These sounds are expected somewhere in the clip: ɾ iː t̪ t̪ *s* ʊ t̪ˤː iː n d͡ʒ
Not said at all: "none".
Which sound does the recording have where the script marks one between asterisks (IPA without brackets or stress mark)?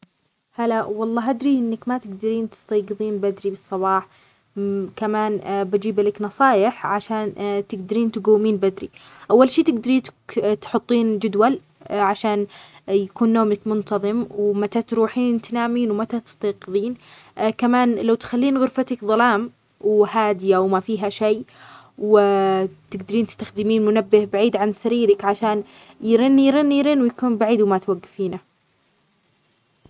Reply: ħ